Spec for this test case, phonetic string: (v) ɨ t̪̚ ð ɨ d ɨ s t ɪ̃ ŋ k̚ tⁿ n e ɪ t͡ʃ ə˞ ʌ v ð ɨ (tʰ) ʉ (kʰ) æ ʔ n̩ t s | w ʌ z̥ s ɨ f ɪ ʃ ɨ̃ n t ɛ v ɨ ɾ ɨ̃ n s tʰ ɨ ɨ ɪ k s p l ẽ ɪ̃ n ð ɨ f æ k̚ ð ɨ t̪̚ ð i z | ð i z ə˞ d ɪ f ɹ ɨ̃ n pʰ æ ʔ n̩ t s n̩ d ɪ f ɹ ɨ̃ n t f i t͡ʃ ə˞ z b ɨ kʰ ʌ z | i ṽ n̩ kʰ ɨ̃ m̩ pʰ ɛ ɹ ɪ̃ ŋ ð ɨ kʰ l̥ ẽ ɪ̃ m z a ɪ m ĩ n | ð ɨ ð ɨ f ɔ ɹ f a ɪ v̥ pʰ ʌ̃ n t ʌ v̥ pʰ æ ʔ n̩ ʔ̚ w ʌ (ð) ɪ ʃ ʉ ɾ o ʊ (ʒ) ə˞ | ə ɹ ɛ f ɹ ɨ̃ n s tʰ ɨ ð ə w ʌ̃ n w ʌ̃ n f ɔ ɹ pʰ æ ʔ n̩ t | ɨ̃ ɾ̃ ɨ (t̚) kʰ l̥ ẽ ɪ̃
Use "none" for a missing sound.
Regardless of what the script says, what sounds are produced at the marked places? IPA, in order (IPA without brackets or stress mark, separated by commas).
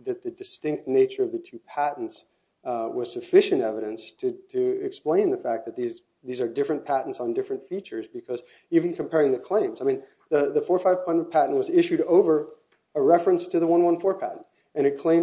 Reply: ð, tʰ, pʰ, z, v, t̚